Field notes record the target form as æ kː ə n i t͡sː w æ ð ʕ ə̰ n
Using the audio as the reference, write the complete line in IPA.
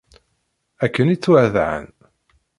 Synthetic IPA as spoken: æ kː ə n i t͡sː w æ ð ʕ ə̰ n